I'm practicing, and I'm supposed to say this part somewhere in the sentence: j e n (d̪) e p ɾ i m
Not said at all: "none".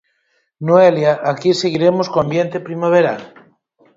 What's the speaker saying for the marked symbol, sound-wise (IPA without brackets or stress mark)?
t̪